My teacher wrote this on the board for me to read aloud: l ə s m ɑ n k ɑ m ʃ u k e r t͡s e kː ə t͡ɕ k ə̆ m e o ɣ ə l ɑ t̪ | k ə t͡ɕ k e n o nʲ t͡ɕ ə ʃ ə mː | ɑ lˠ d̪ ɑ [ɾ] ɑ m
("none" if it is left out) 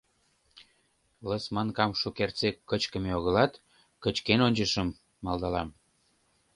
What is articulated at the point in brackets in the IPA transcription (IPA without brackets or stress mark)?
l